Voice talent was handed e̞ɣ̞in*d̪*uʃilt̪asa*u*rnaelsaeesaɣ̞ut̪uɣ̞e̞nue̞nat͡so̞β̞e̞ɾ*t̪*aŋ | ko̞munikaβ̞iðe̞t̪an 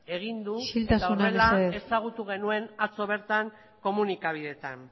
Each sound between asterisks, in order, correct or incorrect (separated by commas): correct, correct, correct